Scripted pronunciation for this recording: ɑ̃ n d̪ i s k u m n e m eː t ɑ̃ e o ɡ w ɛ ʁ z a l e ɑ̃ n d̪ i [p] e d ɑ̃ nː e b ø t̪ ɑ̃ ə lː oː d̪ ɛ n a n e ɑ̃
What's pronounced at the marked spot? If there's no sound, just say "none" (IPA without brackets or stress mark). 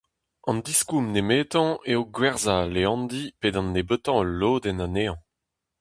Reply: p